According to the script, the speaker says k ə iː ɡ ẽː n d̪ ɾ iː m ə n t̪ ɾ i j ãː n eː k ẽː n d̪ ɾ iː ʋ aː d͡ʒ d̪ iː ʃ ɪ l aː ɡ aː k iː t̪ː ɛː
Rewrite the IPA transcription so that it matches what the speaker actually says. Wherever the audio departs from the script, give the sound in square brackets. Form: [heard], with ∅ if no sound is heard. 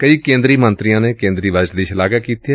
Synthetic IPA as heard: k ə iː [k] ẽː n d̪ ɾ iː m ə n t̪ ɾ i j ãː n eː k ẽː n d̪ ɾ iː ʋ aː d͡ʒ d̪ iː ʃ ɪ l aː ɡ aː k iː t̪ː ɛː